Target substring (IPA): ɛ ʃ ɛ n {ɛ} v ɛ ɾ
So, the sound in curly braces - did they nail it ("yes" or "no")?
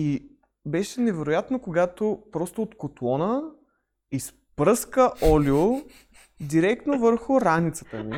yes